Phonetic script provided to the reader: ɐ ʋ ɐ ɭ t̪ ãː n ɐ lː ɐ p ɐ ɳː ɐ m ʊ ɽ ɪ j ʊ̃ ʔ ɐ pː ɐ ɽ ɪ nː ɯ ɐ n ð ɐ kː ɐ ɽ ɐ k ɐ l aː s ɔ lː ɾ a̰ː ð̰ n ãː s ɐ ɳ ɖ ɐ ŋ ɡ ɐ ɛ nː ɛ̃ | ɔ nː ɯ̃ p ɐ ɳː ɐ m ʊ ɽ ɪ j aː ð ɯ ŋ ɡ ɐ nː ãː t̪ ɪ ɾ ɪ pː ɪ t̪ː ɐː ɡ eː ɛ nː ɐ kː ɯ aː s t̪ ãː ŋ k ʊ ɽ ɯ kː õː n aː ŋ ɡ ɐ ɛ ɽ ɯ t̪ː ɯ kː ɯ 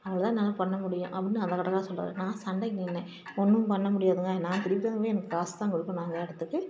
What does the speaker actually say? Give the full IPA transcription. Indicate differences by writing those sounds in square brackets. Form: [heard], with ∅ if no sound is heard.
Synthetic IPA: ɐ ʋ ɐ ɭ t̪ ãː n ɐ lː ɐ p ɐ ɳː ɐ m ʊ ɽ ɪ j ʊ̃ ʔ ɐ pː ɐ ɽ ɪ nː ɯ ɐ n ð ɐ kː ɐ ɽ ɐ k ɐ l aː s ɔ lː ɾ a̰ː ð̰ n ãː s ɐ ɳ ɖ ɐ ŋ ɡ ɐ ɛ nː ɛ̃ | ɔ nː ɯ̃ p ɐ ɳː ɐ m ʊ ɽ ɪ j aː ð ɯ ŋ ɡ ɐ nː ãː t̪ ɪ ɾ ɪ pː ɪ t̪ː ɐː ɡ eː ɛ [n] ɐ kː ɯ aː s t̪ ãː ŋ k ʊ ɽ ɯ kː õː n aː ŋ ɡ ɐ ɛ ɽ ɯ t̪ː ɯ kː ɯ

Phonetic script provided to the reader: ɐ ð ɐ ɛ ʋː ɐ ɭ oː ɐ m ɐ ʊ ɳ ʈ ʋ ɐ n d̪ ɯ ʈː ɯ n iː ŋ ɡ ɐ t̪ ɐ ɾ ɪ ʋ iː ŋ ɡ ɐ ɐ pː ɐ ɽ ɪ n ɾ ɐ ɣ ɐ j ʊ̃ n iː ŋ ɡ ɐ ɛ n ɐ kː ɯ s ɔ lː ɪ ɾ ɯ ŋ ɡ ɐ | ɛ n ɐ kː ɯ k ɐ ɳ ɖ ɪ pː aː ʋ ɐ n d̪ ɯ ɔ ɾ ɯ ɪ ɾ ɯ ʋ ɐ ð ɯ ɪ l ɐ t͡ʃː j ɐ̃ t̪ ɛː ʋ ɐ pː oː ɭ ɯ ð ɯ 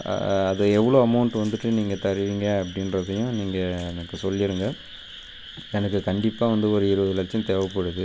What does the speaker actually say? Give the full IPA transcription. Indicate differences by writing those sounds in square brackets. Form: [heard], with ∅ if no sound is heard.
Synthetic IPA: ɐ ð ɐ ɛ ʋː ɐ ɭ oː ɐ m ɐ ʊ ɳ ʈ ʋ ɐ n d̪ ɯ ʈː ɯ n iː ŋ ɡ ɐ t̪ ɐ ɾ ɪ ʋ iː ŋ ɡ ɐ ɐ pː ɐ ɽ ɪ n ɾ ɐ [ð] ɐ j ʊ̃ n iː ŋ ɡ ɐ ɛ n ɐ kː ɯ s ɔ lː ɪ ɾ ɯ ŋ ɡ ɐ | ɛ n ɐ kː ɯ k ɐ ɳ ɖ ɪ pː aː ʋ ɐ n d̪ ɯ ɔ ɾ ɯ ɪ ɾ ɯ ʋ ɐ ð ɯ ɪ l ɐ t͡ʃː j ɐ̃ t̪ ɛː ʋ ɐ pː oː [ɽ] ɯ ð ɯ

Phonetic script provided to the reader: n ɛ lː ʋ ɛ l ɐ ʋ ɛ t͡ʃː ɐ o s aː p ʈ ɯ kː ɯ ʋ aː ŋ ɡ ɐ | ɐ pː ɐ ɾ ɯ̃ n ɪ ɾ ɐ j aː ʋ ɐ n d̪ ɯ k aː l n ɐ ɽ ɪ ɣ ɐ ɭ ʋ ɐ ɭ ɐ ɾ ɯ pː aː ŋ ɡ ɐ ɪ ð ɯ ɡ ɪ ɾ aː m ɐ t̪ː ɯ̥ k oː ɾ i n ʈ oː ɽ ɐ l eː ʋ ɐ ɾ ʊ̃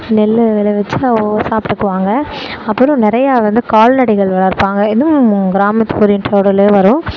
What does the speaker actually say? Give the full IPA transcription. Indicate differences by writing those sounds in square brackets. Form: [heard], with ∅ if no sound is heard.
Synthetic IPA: n ɛ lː ʋ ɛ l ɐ ʋ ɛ t͡ʃː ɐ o s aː p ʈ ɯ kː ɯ ʋ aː ŋ ɡ ɐ | ɐ pː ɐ ɾ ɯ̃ n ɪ ɾ ɐ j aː ʋ ɐ n d̪ ɯ k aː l n ɐ ɽ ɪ ɣ ɐ ɭ ʋ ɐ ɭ ɐ ɾ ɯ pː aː ŋ ɡ ɐ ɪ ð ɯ ɡ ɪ ɾ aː m ɐ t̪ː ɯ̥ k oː ɾ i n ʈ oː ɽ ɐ l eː ʋ ɐ ɾ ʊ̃

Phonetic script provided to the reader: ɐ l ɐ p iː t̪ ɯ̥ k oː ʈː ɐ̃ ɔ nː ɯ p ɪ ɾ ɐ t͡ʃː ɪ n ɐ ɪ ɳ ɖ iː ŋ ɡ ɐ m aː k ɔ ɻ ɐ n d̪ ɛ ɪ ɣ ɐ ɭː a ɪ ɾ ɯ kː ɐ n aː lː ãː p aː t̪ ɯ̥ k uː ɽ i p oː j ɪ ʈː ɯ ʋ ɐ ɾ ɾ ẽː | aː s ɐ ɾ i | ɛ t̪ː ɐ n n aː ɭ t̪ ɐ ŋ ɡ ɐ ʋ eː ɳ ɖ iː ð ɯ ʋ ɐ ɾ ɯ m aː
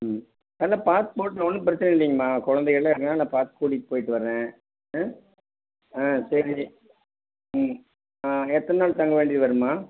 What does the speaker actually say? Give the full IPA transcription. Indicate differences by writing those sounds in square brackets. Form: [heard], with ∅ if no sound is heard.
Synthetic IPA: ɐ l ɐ p [aː] t̪ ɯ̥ [p] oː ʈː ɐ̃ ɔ nː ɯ p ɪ ɾ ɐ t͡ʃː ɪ n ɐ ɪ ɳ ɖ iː ŋ ɡ ɐ m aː k ɔ ɻ ɐ n d̪ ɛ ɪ ɣ ɐ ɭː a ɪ ɾ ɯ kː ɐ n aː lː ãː p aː t̪ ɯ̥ k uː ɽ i p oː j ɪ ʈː ɯ ʋ ɐ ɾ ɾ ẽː | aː s ɐ ɾ i | ɛ t̪ː ɐ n n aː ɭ t̪ ɐ ŋ ɡ ɐ ʋ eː ɳ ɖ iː ð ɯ ʋ ɐ ɾ ɯ m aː

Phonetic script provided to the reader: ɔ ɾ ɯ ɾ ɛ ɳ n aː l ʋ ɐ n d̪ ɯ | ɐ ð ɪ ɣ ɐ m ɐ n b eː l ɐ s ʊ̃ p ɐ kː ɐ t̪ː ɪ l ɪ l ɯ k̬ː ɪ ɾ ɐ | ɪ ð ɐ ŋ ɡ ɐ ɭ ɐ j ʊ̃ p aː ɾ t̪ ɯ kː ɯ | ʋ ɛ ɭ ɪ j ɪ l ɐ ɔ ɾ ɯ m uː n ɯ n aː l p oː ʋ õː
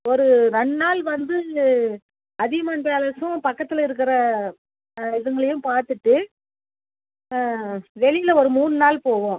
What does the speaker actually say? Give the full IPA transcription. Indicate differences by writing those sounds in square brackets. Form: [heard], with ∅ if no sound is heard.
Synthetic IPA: ɔ ɾ ɯ ɾ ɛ ɳ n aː l ʋ ɐ n d̪ ɯ | ɐ ð ɪ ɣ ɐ m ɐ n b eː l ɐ s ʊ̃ p ɐ kː ɐ t̪ː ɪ l ɪ [ɾ] ɯ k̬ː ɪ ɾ ɐ | ɪ ð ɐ ŋ ɡ ɐ ɭ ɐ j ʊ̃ p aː ɾ t̪ ɯ [ʈː] ɯ | ʋ ɛ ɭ ɪ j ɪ l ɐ ɔ ɾ ɯ m uː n ɯ n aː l p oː ʋ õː

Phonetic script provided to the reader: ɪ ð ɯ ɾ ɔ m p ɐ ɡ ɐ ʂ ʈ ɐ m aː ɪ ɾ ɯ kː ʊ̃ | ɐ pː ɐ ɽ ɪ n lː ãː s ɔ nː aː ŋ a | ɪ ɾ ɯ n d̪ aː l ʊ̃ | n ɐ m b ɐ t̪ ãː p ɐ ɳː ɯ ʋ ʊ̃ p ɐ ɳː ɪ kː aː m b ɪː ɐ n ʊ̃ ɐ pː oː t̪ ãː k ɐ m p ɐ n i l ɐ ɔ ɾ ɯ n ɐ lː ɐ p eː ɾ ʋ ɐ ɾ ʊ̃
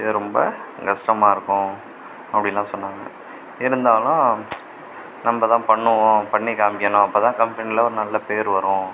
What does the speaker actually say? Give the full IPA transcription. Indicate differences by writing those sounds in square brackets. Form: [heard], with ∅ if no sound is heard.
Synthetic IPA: ɪ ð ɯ ɾ ɔ m [b] ɐ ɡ ɐ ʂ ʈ ɐ m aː ɪ ɾ ɯ kː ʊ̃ | ɐ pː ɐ ɽ ɪ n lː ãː s ɔ nː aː ŋ [ɐ] | ɪ ɾ ɯ n d̪ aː l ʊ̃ | n ɐ m b ɐ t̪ ãː p ɐ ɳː ɯ ʋ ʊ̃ p ɐ ɳː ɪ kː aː m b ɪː ɐ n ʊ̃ ɐ pː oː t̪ ãː k ɐ m p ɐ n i l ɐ ɔ ɾ ɯ n ɐ lː ɐ p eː ɾ ʋ ɐ ɾ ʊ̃

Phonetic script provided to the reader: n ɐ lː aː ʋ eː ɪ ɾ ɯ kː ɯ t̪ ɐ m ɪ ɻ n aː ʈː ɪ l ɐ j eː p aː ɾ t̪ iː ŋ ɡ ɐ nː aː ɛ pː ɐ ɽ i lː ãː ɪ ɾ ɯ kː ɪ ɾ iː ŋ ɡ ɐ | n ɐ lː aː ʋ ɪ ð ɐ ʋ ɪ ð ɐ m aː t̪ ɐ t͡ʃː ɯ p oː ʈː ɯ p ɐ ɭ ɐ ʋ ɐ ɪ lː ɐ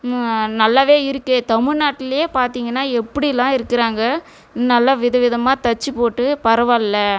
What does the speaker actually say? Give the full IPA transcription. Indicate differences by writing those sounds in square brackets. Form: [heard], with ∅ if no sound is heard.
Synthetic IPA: n ɐ lː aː ʋ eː ɪ ɾ ɯ kː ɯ t̪ ɐ m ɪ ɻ n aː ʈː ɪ l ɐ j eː p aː ɾ t̪ iː ŋ ɡ ɐ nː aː ɛ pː ɐ ɽ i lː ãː ɪ ɾ ɯ kː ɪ ɾ [aː] ŋ ɡ ɐ | n ɐ lː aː ʋ ɪ ð ɐ ʋ ɪ ð ɐ m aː t̪ ɐ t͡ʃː ɯ p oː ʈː ɯ p ɐ [ɾ] ɐ ʋ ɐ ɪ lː ɐ

